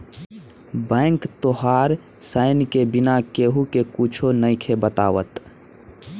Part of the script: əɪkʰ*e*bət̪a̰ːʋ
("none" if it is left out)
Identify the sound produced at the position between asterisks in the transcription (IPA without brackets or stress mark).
e